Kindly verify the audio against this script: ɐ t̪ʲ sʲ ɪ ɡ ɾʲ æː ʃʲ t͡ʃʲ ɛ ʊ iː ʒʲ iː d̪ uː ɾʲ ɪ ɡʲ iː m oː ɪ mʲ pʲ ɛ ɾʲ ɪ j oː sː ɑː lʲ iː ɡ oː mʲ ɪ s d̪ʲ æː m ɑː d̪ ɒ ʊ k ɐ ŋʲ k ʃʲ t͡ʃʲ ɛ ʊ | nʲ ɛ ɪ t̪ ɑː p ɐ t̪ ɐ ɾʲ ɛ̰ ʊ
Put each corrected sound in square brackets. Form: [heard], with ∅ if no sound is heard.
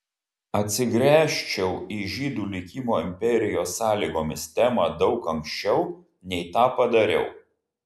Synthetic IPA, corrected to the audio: ɐ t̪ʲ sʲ ɪ ɡ ɾʲ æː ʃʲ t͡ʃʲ ɛ ʊ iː ʒʲ iː d̪ uː [lʲ] ɪ [kʲ] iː m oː ɪ mʲ pʲ ɛ ɾʲ ɪ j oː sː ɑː lʲ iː ɡ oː mʲ ɪ s [t̪ʲ] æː m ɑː d̪ ɒ ʊ k ɐ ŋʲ k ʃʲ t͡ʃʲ ɛ ʊ | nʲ ɛ ɪ t̪ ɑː p ɐ [d̪] ɐ ɾʲ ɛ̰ ʊ